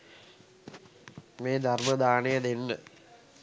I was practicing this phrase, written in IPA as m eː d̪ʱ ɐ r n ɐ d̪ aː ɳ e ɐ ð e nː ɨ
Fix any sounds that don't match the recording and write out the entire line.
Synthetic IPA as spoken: m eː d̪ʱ ɐ r m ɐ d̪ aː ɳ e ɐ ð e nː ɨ